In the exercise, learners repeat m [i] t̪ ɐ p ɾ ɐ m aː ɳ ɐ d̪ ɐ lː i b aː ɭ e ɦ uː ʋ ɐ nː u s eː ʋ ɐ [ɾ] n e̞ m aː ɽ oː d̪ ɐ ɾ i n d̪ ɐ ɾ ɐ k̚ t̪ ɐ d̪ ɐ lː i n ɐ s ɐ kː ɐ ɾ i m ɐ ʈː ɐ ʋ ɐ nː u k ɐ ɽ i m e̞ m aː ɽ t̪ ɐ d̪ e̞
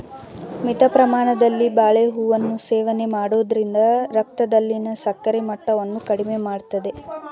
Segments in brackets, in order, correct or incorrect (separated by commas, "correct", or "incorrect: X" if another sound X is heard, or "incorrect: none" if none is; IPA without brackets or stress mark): correct, incorrect: none